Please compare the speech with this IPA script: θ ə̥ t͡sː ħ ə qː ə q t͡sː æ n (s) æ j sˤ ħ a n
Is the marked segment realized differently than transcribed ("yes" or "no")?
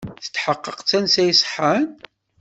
no